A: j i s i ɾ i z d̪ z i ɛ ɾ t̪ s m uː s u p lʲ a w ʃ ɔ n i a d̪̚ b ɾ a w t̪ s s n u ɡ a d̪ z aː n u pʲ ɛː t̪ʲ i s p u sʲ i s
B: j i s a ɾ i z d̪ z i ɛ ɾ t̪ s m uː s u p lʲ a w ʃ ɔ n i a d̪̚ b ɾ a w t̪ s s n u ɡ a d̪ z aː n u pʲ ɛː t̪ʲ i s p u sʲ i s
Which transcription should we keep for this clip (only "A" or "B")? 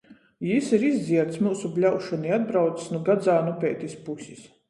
A